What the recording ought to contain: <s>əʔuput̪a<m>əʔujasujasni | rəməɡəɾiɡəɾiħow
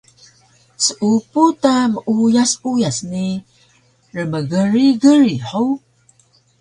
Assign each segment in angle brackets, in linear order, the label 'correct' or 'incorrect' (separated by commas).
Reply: correct, correct